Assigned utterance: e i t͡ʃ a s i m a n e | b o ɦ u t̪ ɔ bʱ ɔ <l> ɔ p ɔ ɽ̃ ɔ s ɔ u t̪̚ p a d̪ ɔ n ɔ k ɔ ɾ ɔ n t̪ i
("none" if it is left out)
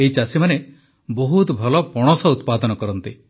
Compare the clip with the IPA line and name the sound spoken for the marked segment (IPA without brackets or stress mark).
l